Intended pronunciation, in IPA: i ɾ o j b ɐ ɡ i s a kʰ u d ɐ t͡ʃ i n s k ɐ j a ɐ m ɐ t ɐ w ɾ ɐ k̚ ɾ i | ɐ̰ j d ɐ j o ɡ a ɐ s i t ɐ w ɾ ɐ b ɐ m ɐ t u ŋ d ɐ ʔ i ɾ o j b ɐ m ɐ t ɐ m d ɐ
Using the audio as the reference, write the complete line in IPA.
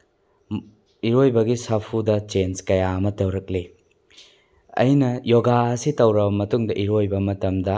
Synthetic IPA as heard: i ɾ o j b ɐ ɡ i s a pʰ u d ɐ t͡ʃ e n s k ɐ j a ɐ m ɐ t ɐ w ɾ ɐ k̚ l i | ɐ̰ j n ɐ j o ɡ a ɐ s i t ɐ w ɾ ɐ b ɐ m ɐ t u ŋ d ɐ ʔ i ɾ o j b ɐ m ɐ t ɐ m d ɐ

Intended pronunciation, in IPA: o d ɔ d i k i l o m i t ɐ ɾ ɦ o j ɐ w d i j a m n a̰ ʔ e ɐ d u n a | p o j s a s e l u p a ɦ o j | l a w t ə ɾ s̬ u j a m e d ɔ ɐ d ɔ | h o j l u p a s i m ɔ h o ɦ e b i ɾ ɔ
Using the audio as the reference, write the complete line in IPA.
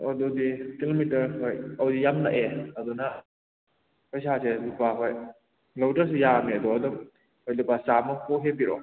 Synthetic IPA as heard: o d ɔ d i k i l o m i t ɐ ɾ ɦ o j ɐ w d i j a m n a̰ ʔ e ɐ d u n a | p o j s a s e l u p a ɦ o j | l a w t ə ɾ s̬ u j a m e d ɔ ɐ d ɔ | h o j l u p a s a m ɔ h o ɦ e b i ɾ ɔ

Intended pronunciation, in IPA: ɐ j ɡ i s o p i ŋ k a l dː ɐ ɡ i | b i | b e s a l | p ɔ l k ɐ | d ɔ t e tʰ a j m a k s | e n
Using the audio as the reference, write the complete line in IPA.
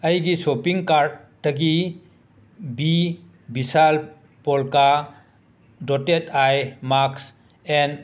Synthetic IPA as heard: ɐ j ɡ i s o p i ŋ k a ɾ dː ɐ ɡ i | b i | b i s a l | p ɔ l k a | d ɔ t e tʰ a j m a k s | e n

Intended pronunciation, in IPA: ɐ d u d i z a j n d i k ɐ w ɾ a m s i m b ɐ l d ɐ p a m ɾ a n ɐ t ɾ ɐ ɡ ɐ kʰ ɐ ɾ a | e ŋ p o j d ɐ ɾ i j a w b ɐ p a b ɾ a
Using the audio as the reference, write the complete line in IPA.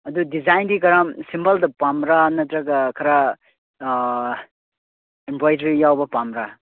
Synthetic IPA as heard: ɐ d u d i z a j n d i k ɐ ɾ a m s i m b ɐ l d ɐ p a m ɾ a n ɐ t ɾ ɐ ɡ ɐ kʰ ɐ ɾ a | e m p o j d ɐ ɾ i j a w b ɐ p a m ɾ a

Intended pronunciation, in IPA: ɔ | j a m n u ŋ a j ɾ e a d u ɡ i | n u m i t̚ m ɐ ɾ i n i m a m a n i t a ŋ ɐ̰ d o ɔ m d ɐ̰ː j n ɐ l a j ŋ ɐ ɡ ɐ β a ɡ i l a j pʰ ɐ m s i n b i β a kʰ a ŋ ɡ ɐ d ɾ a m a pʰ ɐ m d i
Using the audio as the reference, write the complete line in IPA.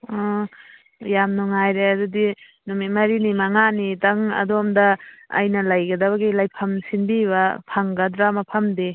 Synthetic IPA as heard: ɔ | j a m n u ŋ a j ɾ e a d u d i | n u m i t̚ m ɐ ɾ i n i m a ŋ a n i t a ŋ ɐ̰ d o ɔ m d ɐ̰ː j n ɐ l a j ɡ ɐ d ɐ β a ɡ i l a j pʰ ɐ m s i n b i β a pʰ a ŋ ɡ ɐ d ɾ a m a pʰ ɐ m d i

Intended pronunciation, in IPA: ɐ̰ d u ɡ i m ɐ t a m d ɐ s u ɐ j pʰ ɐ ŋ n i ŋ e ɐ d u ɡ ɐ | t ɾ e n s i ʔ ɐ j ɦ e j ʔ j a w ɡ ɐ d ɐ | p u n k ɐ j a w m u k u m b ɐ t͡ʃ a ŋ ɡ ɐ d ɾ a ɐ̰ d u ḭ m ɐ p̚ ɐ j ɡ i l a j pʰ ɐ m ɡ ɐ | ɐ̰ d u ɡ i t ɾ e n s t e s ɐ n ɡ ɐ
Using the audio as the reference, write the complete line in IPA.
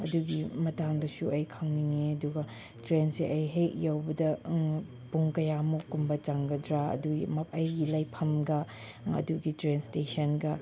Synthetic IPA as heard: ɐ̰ d u ɡ i m ɐ t a ŋ d ɐ s u ɐ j kʰ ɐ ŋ n i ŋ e ɐ d u ɡ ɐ | t ɾ e n s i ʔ ɐ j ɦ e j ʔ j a w b ɐ d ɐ | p u ŋ k ɐ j a m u k u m b ɐ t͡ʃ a ŋ ɡ ɐ d ɾ a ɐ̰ d u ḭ m ɐ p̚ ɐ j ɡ i l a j pʰ ɐ m ɡ ɐ | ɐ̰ d u ɡ i t ɾ e n s t e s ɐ n ɡ ɐ

